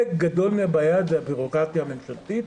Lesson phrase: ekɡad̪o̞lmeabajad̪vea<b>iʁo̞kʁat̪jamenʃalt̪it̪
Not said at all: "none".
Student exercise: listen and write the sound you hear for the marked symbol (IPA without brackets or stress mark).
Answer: b